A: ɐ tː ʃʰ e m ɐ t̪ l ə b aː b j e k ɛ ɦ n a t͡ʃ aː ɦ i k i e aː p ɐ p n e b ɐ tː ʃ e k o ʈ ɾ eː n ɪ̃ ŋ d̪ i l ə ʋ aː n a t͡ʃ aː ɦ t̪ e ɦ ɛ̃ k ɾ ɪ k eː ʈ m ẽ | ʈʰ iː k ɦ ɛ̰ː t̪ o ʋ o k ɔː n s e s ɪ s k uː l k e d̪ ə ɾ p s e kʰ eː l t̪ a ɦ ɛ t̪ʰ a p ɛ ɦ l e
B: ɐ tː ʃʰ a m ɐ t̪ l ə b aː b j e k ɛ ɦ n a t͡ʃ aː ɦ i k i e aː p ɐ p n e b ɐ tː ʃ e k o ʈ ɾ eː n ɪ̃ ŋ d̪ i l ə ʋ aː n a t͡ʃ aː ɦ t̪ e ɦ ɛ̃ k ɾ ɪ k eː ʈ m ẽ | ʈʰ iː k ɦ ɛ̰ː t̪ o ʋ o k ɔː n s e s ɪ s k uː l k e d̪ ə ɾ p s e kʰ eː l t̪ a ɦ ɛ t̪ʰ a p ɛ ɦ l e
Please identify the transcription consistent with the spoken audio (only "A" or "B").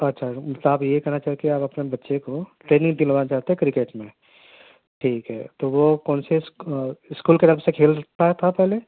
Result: B